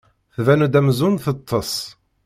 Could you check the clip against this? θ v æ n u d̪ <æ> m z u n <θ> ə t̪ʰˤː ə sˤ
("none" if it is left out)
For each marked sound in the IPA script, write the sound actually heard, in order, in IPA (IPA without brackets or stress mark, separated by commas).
æ, θ